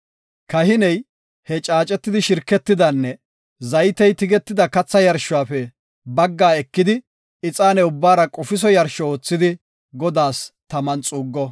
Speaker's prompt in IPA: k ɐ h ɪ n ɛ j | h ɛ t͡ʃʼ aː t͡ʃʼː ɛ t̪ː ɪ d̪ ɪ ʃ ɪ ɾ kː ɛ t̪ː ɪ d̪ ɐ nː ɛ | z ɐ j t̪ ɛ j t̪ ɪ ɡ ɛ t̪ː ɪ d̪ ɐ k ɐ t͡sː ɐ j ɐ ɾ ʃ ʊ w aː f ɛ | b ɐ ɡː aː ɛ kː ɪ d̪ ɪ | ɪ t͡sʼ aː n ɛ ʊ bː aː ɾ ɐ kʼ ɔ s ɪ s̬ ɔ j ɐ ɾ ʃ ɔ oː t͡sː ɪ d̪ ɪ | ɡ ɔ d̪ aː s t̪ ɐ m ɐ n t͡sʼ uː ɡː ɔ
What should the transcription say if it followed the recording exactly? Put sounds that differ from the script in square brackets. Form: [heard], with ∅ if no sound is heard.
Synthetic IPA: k ɐ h ɪ n ɛ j | h ɛ t͡ʃʼ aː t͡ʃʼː ɛ t̪ː ɪ d̪ ɪ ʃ ɪ ɾ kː ɛ t̪ː ɪ d̪ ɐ nː ɛ | z ɐ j t̪ ɛ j t̪ ɪ ɡ ɛ t̪ː ɪ d̪ ɐ k ɐ t͡sː ɐ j ɐ ɾ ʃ ʊ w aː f ɛ | b ɐ ɡː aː ɛ kː ɪ d̪ ɪ | ɪ t͡sʼ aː n ɛ ʊ bː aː ɾ ɐ kʼ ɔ [f] ɪ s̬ ɔ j ɐ ɾ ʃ ɔ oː t͡sː ɪ d̪ ɪ | ɡ ɔ d̪ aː s t̪ ɐ m ɐ n t͡sʼ uː ɡː ɔ

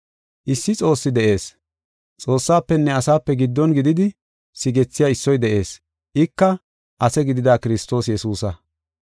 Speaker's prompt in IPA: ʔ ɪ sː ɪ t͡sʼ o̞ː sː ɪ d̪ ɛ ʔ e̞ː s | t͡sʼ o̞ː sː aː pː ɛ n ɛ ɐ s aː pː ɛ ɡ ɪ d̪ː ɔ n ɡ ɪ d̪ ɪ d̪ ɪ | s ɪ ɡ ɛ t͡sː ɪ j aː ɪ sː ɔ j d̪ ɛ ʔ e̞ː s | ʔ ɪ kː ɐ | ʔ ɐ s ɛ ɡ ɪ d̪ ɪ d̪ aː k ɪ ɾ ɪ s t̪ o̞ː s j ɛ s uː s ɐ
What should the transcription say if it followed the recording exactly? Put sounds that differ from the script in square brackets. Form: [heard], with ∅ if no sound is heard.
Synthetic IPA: ʔ ɪ sː ɪ t͡sʼ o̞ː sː ɪ d̪ ɛ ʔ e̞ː s | t͡sʼ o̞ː sː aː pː ɛ [nː] ɛ ɐ s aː pː ɛ ɡ ɪ d̪ː ɔ n ɡ ɪ d̪ ɪ d̪ ɪ | s ɪ ɡ ɛ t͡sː ɪ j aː ɪ sː ɔ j d̪ ɛ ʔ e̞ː s | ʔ ɪ kː ɐ | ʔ ɐ s ɛ ɡ ɪ d̪ ɪ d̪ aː k ɪ ɾ ɪ s t̪ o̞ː s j ɛ s uː s ɐ

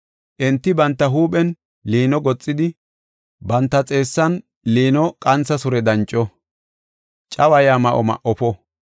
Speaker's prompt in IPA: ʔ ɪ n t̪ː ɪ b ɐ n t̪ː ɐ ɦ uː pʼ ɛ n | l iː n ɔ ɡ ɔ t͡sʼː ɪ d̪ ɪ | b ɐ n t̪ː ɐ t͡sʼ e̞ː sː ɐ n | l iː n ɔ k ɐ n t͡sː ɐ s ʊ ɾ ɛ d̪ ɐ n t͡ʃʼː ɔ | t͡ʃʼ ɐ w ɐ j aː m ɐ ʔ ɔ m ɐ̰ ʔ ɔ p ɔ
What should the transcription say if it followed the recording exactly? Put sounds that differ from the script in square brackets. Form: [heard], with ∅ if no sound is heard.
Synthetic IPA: ʔ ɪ n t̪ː ɪ b ɐ n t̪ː ɐ ɦ uː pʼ ɛ n | l iː n ɔ ɡ ɔ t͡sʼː ɪ d̪ ɪ | b ɐ n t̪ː ɐ t͡sʼ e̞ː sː ɐ n | l iː n ɔ [kʼ] ɐ n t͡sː ɐ s ʊ ɾ ɛ d̪ ɐ n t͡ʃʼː ɔ | t͡ʃʼ ɐ w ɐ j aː m ɐ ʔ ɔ m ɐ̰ ʔ ɔ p ɔ

